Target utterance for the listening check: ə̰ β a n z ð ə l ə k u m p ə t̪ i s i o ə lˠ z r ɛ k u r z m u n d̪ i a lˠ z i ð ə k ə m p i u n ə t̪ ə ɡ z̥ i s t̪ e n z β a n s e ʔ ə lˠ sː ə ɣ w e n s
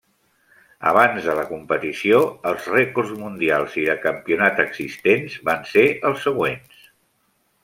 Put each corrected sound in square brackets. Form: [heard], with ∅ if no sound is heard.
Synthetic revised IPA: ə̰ β a n z ð ə l ə k u m p ə t̪ i s i o ə lˠ z r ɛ k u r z m u n d̪ i a lˠ z i ð ə k ə m p i u n [a] t̪ ə ɡ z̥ i s t̪ e n z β a n s e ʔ ə lˠ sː ə ɣ w e n s